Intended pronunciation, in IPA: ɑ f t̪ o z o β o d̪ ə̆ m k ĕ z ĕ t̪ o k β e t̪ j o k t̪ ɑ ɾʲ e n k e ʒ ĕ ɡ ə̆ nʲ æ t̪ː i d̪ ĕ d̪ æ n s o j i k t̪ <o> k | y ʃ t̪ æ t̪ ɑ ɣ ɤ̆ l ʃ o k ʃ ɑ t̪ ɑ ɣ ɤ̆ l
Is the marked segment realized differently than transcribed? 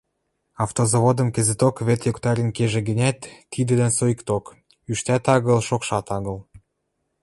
no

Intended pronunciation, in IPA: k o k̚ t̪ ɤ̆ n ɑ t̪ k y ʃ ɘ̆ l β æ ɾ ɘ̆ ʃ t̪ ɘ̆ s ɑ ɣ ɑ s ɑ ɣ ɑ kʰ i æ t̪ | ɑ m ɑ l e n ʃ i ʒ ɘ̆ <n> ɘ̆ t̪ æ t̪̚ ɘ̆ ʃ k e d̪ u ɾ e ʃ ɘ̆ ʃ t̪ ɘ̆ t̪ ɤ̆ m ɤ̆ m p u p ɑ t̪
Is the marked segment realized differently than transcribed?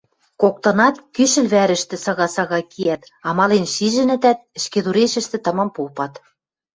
no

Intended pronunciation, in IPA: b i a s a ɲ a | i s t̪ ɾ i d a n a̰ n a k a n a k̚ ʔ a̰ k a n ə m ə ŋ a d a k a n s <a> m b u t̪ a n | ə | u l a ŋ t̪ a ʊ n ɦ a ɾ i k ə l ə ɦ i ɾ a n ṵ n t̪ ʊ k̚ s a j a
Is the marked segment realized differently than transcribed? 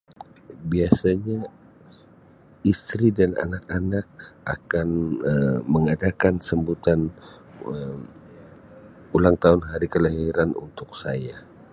yes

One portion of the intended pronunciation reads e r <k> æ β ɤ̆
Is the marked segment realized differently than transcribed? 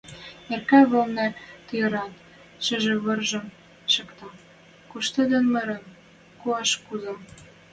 no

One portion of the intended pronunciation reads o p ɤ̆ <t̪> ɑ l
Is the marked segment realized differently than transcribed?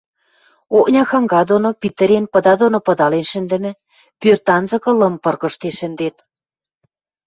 yes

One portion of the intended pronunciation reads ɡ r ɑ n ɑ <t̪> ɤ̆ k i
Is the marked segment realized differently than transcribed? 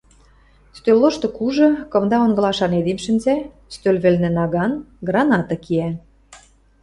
no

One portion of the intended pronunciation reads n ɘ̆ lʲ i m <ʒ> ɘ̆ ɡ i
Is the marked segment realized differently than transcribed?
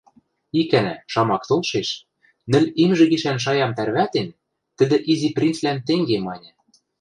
no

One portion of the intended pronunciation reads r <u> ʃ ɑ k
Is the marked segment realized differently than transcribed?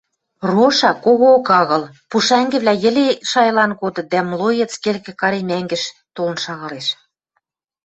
yes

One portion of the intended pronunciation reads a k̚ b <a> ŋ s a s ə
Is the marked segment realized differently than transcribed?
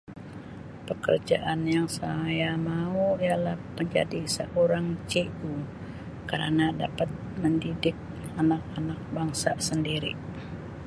no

